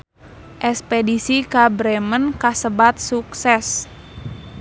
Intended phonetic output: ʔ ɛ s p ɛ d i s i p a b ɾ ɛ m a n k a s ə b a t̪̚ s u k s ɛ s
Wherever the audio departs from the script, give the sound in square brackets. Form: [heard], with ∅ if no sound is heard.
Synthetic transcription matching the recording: ʔ ɛ s p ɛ d i s i [k] a b ɾ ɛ m [ə] n k a s ə b a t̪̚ s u k s ɛ s